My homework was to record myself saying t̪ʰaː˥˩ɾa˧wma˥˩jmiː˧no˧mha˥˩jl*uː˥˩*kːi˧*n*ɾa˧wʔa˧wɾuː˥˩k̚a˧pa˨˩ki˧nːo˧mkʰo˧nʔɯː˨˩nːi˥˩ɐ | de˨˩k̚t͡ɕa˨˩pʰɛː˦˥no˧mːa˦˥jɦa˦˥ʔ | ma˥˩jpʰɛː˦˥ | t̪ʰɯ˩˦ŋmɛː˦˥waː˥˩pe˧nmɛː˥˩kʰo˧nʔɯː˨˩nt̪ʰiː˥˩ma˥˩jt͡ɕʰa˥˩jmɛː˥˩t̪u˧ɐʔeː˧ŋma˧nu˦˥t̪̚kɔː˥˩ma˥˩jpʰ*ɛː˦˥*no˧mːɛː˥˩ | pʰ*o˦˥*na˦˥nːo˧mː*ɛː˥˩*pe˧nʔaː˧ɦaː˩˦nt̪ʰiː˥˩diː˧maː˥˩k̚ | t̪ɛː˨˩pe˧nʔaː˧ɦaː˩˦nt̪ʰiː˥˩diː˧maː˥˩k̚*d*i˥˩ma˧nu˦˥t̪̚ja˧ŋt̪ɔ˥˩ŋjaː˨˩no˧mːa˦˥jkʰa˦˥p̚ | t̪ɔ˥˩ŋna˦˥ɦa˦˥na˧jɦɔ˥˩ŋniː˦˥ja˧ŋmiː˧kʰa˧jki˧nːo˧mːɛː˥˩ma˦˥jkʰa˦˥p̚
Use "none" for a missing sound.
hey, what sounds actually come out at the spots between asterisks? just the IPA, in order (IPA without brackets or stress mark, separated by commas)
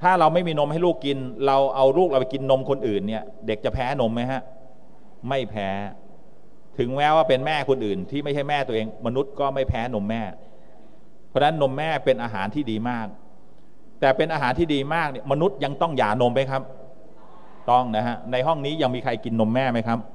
uː˥˩, n, ɛː˦˥, ɔ˦˥, ɛː˥˩, n